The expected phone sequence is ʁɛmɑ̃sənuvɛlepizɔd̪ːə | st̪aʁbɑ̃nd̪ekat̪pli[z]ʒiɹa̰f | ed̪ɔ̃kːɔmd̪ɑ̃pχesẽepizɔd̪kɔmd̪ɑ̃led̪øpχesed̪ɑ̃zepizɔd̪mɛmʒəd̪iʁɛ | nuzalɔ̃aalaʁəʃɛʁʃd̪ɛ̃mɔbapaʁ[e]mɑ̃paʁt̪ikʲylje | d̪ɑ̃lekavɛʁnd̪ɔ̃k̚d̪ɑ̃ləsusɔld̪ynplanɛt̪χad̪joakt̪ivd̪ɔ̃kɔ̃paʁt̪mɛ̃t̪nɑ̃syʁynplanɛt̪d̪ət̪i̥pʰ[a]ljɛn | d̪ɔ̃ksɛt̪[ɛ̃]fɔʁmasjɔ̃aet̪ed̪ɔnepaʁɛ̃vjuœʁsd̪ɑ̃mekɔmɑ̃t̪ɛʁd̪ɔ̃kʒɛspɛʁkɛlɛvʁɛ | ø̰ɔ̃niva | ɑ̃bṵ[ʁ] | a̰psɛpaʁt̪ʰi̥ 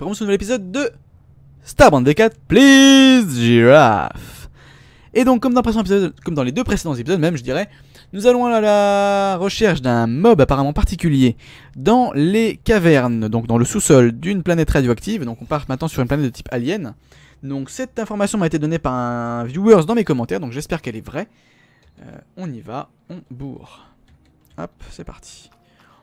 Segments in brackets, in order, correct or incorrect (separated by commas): correct, incorrect, correct, correct, correct